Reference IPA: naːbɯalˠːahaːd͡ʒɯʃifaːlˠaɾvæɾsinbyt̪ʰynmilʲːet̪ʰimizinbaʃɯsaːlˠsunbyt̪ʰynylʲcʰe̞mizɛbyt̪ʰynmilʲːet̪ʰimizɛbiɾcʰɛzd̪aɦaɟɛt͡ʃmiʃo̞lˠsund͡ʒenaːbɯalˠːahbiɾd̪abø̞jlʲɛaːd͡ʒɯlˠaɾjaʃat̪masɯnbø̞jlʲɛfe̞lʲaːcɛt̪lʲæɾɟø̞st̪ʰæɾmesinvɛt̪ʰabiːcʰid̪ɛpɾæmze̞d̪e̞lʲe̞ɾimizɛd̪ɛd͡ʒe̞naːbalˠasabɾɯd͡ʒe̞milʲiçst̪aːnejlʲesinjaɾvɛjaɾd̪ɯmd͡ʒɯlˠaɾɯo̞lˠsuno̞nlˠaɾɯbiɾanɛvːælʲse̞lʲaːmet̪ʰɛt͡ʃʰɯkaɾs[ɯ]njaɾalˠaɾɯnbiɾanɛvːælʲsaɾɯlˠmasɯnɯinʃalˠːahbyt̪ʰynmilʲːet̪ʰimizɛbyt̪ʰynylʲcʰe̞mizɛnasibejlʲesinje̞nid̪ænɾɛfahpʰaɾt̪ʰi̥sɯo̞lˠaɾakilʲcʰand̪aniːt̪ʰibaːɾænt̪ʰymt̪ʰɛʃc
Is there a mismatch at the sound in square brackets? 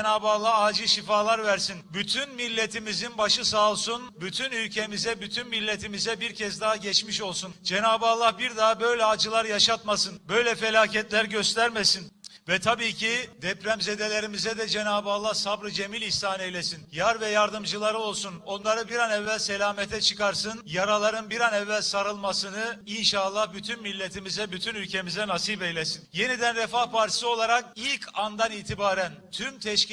no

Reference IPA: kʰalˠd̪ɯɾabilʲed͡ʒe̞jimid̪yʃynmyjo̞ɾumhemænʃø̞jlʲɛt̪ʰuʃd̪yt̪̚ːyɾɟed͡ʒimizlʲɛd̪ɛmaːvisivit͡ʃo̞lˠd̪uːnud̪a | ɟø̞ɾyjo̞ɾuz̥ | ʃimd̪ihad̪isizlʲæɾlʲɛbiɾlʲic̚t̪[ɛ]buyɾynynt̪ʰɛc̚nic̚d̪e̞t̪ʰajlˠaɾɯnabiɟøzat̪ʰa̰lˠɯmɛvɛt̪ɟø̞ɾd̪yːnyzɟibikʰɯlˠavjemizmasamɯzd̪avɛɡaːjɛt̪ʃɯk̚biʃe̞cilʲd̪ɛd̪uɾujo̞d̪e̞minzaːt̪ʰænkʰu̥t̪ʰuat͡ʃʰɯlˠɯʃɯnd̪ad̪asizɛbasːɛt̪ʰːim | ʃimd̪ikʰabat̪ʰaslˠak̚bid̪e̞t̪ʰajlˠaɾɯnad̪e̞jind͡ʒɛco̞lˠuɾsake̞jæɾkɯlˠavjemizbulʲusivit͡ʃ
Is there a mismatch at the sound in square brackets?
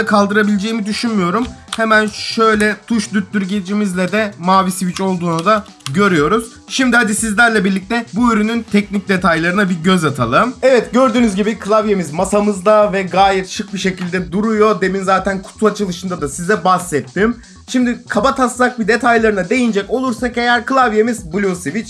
no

